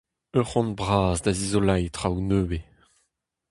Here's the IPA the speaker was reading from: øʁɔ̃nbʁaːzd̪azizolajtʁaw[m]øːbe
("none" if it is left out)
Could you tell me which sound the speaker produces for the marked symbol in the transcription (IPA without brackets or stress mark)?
n